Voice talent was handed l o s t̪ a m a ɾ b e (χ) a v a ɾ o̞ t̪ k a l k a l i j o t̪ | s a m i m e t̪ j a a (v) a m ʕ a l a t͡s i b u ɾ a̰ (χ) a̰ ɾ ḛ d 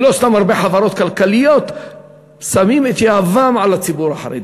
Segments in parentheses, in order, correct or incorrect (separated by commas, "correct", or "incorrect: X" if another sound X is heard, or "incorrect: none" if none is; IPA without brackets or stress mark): incorrect: ħ, correct, incorrect: ħ